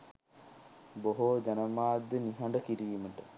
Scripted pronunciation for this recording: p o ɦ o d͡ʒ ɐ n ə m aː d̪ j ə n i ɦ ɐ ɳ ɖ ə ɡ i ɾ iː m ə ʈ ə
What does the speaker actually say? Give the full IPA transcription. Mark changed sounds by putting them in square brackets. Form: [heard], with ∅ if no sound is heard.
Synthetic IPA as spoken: [b] o ɦ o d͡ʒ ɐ n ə m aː d̪ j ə n i ɦ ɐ ɳ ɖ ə [k] i ɾ iː m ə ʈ ə